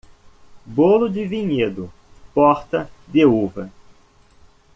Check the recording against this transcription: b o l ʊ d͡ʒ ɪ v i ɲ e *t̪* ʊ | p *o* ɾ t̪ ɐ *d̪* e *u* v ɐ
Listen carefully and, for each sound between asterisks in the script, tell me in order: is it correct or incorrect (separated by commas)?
incorrect, incorrect, correct, correct